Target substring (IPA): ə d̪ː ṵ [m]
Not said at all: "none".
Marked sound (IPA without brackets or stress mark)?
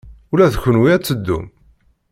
m